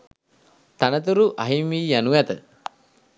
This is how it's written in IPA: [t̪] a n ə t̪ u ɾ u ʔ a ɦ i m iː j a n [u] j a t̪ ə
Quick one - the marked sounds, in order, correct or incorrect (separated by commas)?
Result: correct, correct